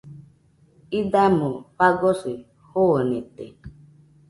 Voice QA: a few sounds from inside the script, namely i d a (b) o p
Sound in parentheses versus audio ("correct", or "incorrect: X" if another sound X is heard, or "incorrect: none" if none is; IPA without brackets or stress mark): incorrect: m